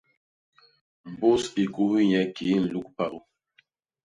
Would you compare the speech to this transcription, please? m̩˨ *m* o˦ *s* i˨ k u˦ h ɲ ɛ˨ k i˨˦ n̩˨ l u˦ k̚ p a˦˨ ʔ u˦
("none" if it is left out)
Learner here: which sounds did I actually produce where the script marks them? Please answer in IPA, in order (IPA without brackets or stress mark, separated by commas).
b, s